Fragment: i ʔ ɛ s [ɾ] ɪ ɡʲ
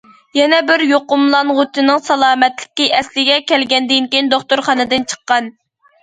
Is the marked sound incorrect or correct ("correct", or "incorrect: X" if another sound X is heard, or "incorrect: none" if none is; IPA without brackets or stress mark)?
incorrect: l